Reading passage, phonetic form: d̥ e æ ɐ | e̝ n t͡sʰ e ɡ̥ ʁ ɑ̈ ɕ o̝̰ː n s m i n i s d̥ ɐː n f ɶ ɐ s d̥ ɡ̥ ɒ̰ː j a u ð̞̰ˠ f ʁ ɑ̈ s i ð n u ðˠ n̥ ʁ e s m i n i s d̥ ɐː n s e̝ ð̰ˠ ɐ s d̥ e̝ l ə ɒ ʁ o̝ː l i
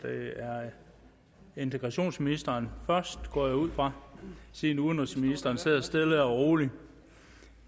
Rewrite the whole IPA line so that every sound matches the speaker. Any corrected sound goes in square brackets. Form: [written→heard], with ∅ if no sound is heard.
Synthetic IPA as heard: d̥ e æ ɐ | e̝ n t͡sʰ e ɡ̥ ʁ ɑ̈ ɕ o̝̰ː n s m i n i s d̥ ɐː n f ɶ ɐ s d̥ ɡ̥ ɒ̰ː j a u ð̞̰ˠ f ʁ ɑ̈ s i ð n u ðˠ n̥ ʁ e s m i n i s d̥ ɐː n s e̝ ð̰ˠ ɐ s d̥ e̝ l ə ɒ ʁ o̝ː l i